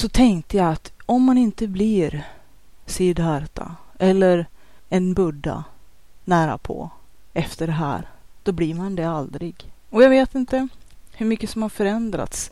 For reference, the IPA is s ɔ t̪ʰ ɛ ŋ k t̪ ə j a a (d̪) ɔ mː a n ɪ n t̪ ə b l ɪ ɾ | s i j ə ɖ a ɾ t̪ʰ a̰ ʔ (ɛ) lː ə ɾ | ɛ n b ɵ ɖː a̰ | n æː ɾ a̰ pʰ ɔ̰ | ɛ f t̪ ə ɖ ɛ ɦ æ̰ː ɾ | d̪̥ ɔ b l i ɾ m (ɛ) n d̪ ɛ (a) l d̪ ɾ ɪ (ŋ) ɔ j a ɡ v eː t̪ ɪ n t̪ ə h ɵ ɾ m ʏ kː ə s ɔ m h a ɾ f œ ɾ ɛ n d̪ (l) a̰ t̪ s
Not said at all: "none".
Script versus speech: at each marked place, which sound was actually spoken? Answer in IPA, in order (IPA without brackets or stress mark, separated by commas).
t̪, ɛ, a, a, ɡ, ɾ